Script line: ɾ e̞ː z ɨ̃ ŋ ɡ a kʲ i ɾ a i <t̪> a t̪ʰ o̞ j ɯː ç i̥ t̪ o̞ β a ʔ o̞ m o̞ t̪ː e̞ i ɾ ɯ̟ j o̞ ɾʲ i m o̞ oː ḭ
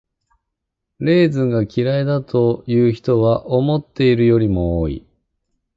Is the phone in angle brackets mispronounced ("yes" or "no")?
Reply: yes